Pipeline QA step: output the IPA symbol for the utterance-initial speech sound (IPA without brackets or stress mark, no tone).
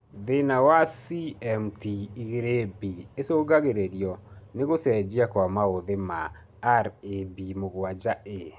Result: ð